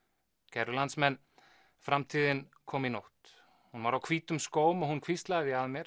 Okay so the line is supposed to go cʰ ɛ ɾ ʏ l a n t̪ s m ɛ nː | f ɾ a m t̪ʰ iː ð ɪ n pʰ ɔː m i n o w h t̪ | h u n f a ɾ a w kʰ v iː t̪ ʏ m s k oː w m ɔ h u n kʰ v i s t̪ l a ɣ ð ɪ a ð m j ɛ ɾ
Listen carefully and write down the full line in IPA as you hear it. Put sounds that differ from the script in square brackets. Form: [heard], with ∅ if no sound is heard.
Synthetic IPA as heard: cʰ ɛ ɾ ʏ l a n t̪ s m ɛ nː | f ɾ a m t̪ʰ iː ð ɪ n [kʰ] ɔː m i n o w h t̪ | h u n [v] a ɾ a w kʰ v iː t̪ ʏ m s k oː w m ɔ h u n kʰ v i s t̪ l a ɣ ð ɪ a ð m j ɛ ɾ